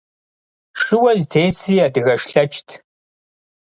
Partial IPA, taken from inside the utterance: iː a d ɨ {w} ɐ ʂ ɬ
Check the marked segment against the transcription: incorrect: ɣ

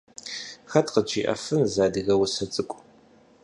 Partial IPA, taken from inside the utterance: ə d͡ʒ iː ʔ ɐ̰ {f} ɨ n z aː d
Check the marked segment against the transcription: correct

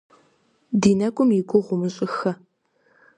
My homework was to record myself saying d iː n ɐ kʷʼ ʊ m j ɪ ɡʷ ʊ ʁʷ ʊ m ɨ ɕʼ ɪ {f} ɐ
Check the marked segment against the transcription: incorrect: x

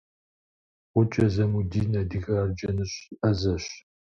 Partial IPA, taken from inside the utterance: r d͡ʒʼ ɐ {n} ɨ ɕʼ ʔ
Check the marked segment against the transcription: correct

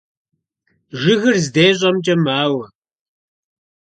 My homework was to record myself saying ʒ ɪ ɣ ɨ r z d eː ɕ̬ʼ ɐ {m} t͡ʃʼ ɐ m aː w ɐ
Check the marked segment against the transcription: correct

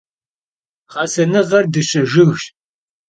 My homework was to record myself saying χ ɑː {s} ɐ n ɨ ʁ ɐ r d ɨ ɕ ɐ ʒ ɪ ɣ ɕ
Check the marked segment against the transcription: correct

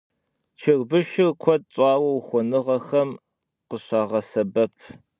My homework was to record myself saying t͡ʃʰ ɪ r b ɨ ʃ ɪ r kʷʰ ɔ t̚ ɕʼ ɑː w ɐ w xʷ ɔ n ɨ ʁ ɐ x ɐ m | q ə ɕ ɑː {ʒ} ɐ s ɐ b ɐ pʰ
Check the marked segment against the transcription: incorrect: ʁ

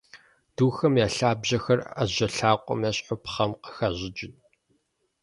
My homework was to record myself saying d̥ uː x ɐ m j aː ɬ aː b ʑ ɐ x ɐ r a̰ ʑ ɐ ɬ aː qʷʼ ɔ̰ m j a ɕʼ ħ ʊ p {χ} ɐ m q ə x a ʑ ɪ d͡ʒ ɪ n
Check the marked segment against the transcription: correct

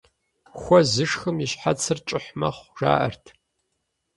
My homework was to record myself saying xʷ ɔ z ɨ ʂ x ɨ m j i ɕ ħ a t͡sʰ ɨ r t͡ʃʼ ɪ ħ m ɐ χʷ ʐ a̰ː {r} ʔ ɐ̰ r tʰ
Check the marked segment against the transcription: incorrect: none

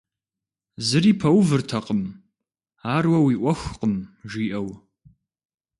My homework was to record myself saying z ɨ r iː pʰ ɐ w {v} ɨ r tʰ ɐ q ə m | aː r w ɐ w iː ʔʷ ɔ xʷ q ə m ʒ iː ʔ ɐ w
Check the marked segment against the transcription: correct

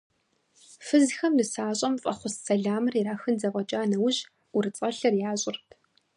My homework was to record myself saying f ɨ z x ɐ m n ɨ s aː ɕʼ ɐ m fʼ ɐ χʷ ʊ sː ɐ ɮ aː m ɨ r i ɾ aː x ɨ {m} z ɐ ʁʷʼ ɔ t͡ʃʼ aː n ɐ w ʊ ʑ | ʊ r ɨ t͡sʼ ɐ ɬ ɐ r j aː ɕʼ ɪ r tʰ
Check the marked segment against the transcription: incorrect: n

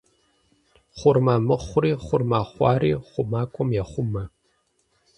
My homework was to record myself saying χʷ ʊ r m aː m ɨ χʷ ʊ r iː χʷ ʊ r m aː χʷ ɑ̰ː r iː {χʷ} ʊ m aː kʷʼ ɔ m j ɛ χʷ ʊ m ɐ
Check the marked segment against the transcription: correct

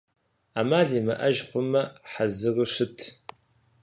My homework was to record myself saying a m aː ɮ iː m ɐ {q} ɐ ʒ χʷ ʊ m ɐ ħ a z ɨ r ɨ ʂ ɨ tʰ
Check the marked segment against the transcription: incorrect: ʔ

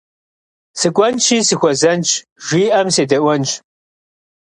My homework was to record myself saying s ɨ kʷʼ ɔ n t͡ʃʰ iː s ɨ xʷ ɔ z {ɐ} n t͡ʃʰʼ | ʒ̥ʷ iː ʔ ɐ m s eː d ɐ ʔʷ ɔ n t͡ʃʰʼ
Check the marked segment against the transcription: correct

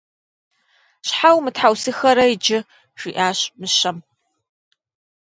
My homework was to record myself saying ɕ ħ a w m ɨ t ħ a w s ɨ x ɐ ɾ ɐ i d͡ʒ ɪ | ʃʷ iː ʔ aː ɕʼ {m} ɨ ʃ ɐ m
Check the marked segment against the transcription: correct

